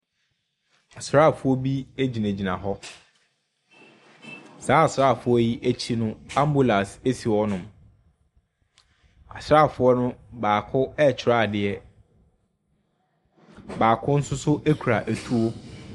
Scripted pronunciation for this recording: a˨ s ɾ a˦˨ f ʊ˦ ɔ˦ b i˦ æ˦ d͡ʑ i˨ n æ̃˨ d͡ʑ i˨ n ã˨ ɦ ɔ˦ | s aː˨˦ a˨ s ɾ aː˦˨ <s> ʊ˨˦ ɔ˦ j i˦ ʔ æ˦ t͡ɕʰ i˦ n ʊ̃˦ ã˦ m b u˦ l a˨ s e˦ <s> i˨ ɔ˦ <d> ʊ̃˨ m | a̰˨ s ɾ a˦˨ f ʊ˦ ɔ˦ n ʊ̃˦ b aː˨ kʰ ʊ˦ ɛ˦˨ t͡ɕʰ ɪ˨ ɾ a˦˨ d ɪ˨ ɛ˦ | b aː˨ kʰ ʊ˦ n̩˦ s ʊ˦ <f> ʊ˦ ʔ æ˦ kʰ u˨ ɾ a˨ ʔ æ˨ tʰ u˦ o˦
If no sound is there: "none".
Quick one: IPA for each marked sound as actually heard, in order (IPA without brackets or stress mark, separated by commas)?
f, s, n, s